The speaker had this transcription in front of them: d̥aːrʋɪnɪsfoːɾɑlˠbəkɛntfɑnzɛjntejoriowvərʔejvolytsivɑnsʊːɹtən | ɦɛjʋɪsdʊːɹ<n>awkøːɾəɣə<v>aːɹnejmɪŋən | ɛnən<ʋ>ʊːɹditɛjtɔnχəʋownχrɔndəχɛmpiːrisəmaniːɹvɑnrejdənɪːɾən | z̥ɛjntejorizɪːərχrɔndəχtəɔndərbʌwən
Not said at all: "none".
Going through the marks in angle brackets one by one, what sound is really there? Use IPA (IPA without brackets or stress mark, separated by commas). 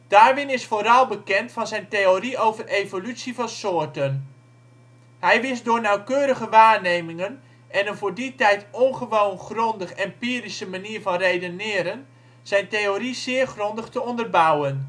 n, ʋ, v